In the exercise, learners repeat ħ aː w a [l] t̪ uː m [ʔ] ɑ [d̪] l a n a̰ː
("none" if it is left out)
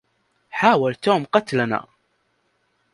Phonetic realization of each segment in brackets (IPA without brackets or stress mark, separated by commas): l, q, t̪